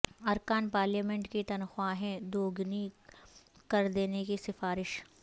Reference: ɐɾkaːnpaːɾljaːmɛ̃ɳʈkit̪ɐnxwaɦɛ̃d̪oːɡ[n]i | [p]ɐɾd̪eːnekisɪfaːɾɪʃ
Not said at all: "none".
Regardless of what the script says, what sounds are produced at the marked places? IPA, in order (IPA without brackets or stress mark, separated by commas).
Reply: n, k